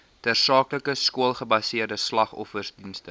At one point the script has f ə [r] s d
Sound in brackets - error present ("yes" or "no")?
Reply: no